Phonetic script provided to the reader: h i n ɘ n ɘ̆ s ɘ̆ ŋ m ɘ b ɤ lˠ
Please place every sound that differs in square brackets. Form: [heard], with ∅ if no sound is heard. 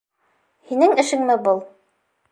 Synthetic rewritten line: h i n ɘ [ŋ] ɘ̆ [ʃ] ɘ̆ ŋ m ɘ b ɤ lˠ

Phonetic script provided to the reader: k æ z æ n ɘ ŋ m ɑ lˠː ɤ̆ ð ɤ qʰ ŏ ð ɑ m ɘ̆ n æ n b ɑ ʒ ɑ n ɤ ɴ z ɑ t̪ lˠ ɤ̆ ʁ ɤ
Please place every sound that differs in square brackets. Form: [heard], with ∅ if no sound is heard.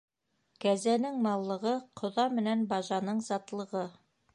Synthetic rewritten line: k æ z æ n ɘ ŋ m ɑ lˠː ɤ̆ [ʁ] ɤ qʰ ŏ ð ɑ m ɘ̆ n æ n b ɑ ʒ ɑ n ɤ ɴ z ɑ t̪ lˠ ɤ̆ ʁ ɤ

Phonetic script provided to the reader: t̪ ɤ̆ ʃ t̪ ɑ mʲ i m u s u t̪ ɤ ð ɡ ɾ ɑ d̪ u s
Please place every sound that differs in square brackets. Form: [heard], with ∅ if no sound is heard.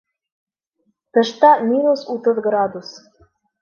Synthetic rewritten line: t̪ ɤ̆ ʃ t̪ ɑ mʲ i [n] u s u t̪ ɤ ð ɡ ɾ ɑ d̪ u s

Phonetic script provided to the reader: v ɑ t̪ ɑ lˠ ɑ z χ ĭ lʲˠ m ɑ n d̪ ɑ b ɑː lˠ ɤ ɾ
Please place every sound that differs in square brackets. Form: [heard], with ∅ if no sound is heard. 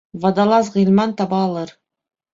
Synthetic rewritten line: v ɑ [d̪] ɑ lˠ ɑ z [ʁ] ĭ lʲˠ m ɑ n [t̪] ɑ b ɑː lˠ ɤ ɾ

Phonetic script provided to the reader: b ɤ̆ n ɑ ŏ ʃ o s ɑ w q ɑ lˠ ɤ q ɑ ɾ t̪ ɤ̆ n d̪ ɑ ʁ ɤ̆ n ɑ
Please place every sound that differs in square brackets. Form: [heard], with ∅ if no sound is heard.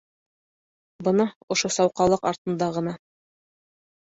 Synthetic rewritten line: b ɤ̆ n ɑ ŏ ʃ o s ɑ w q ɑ lˠ ɤ q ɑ ɾ t̪ ɤ̆ n d̪ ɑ ʁ ɤ̆ n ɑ

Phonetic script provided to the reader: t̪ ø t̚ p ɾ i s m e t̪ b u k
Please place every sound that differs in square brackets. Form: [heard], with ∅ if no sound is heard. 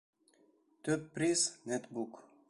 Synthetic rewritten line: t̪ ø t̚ p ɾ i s [n] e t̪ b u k

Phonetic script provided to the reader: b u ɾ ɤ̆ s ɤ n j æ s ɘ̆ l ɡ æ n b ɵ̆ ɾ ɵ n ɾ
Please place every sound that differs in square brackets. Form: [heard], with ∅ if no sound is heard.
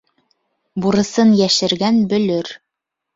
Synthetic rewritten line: b u ɾ ɤ̆ s ɤ n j æ [ʃ] ɘ̆ [ɾ] ɡ æ n b ɵ̆ [l] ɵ [∅] ɾ

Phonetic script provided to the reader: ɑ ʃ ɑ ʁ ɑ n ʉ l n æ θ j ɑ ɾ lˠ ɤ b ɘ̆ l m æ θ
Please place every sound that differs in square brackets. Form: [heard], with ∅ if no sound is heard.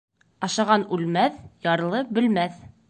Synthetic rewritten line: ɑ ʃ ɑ ʁ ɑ n ʉ l [m] æ θ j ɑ ɾ lˠ ɤ b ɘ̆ l m æ θ

